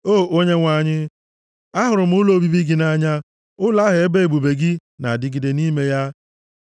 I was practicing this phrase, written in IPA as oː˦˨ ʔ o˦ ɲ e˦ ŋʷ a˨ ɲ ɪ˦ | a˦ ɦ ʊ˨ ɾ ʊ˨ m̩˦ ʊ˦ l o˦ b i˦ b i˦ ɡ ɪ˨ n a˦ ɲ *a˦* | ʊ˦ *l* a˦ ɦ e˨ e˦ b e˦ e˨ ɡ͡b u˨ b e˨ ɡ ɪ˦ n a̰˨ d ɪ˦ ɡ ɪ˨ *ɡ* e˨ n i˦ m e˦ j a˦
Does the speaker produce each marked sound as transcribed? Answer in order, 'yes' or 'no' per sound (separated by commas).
yes, yes, no